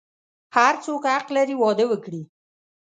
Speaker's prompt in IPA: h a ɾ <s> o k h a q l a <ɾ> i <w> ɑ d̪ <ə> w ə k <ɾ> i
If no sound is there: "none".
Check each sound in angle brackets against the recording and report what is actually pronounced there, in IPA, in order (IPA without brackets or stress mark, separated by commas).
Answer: t͡s, ɾ, w, ə, ɽ